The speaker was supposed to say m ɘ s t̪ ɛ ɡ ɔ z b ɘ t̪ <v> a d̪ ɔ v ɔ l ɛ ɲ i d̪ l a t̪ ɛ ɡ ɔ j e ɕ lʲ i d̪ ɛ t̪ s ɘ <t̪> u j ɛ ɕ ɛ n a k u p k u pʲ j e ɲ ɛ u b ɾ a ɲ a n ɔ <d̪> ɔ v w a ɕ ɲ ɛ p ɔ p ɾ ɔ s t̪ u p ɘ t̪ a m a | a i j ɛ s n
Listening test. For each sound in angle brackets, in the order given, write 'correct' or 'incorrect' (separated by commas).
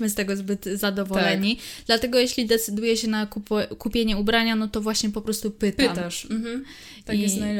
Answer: incorrect, incorrect, incorrect